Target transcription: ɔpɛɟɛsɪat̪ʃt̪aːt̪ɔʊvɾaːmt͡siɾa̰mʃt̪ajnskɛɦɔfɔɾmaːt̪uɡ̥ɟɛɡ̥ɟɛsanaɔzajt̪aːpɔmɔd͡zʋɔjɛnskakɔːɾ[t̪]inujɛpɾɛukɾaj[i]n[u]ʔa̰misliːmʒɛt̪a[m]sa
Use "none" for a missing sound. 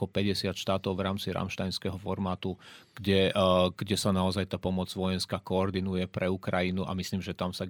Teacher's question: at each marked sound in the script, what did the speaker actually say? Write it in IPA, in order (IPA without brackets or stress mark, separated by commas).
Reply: d̪, i, u, m